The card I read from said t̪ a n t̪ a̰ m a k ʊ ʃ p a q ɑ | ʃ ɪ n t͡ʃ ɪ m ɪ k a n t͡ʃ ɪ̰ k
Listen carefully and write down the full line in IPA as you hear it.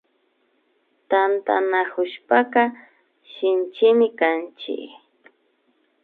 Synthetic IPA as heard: t̪ a n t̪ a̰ n a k ʊ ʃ p a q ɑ | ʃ ɪ n t͡ʃ ɪ m ɪ k a n t͡ʃ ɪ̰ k